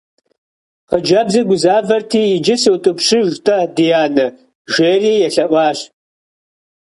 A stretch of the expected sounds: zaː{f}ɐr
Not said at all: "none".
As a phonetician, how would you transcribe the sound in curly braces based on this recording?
v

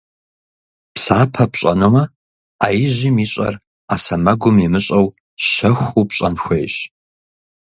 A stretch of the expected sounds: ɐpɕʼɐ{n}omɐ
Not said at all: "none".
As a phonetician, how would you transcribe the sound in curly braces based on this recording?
n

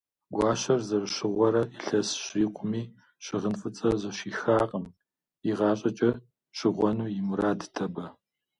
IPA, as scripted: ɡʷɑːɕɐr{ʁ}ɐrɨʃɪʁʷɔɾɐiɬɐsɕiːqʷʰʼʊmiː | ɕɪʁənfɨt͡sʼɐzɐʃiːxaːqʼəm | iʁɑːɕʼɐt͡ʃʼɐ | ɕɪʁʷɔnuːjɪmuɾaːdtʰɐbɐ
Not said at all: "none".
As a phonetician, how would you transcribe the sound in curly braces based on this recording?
z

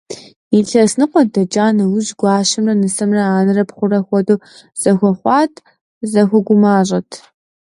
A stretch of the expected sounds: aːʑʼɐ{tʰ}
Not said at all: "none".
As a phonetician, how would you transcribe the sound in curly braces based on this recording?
tʰ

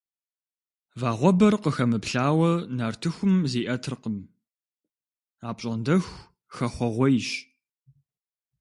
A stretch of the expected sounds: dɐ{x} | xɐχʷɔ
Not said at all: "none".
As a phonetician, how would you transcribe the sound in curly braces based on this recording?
x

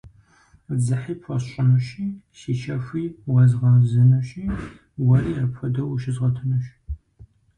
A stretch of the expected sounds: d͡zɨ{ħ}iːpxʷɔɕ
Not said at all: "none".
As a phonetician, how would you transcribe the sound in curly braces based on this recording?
ħ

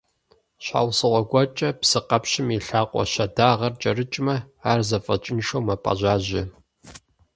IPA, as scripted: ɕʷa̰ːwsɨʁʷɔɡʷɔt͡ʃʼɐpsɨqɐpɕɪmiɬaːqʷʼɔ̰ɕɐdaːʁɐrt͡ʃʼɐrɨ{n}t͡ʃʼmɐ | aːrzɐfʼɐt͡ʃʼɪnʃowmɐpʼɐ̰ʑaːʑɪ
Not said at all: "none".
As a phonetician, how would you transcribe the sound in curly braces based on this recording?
none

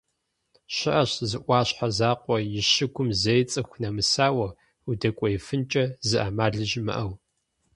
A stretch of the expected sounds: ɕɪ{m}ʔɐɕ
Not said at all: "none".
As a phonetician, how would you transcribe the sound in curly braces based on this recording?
none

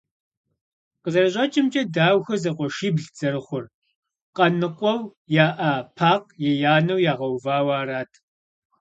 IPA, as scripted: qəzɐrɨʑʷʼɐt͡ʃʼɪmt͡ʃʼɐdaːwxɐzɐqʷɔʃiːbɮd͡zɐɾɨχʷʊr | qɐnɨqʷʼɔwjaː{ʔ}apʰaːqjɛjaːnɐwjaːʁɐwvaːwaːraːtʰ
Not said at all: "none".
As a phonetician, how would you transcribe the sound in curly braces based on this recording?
ʔ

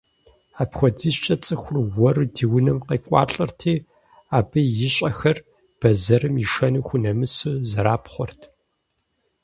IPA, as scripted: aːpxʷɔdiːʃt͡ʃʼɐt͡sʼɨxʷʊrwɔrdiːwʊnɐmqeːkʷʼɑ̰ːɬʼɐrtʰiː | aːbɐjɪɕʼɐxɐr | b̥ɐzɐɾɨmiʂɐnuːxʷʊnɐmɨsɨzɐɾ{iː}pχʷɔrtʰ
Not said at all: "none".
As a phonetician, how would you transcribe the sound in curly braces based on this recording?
aː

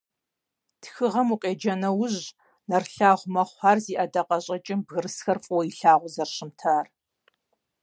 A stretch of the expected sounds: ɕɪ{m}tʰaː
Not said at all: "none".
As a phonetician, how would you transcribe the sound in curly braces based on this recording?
m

